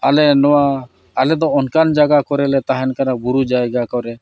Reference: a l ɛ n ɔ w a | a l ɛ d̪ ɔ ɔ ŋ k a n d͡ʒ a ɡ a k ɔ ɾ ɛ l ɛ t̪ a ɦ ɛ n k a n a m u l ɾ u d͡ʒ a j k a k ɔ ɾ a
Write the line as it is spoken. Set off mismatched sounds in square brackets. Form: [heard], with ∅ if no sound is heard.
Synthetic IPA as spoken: a l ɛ n ɔ w a | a l ɛ d̪ ɔ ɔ [n] k a n d͡ʒ a ɡ a k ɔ ɾ ɛ l ɛ t̪ a ɦ ɛ n k a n a [b] u [∅] ɾ u d͡ʒ a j [ɡ] a k ɔ ɾ [ɛ]